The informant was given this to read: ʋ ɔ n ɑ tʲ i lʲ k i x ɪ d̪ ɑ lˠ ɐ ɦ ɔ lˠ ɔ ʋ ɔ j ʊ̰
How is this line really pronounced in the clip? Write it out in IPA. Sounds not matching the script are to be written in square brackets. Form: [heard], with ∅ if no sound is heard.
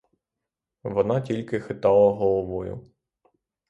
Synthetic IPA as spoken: ʋ ɔ n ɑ tʲ i lʲ k [ɪ] x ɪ [t̪] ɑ lˠ ɐ ɦ ɔ lˠ ɔ ʋ ɔ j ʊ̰